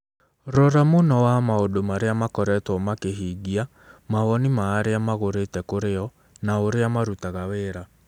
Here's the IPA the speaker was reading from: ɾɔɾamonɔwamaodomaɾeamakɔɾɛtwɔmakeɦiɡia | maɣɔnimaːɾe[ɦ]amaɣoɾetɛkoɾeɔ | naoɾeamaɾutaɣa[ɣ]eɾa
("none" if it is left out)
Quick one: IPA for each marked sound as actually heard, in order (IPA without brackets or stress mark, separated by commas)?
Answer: none, w